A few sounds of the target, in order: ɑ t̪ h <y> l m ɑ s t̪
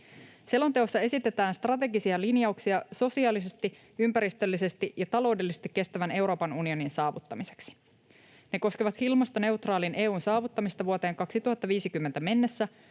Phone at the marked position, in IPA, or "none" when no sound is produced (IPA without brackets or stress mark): i